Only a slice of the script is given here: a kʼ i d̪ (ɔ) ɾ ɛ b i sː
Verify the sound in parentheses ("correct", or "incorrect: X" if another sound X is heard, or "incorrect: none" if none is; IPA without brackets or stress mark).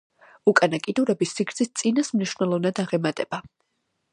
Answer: incorrect: u